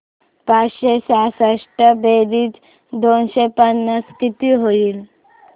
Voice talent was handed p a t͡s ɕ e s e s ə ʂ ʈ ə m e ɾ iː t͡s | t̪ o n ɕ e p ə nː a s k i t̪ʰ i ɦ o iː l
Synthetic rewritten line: p a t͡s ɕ e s a s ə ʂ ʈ ə b e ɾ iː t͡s | d̪ o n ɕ e p ə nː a s k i t̪ i ɦ o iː l